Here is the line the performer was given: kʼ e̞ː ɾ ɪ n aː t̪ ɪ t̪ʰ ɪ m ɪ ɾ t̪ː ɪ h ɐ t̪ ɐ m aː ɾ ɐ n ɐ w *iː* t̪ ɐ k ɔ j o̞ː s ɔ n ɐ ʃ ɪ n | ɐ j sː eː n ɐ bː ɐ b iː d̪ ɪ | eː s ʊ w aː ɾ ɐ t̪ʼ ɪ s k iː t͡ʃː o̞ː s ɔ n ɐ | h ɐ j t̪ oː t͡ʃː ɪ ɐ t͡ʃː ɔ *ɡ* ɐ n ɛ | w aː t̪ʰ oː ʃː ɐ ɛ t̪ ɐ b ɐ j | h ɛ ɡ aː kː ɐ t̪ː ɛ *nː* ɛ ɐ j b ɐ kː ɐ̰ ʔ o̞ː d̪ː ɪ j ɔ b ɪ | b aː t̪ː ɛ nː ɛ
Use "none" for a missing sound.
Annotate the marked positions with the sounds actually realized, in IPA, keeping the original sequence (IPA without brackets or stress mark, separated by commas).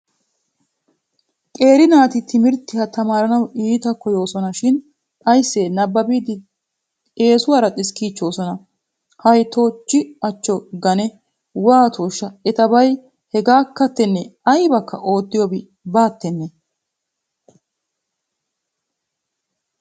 iː, ɡ, nː